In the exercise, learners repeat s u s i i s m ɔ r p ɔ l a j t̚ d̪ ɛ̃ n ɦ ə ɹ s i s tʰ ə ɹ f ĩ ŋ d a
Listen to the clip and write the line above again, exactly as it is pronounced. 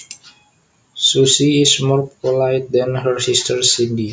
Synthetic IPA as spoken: s u s i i s m ɔ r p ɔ l a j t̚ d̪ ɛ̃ n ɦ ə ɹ s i s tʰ ə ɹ s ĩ n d i